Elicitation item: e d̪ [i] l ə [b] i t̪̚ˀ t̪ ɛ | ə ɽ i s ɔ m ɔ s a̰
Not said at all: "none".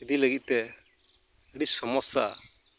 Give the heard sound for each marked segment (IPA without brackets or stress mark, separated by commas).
i, ɡ